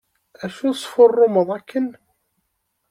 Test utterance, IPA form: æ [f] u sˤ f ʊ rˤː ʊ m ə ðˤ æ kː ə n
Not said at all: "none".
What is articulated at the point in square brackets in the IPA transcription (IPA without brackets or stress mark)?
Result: ʃ